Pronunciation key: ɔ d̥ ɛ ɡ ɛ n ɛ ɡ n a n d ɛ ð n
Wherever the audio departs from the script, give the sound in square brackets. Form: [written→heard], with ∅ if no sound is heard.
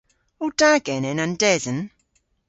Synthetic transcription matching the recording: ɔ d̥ [ɛ→a] ɡ ɛ n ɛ [ɡ→∅] n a n d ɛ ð n